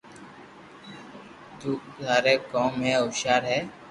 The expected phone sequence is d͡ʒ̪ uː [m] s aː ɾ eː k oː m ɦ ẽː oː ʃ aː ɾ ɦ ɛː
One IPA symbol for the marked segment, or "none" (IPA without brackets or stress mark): none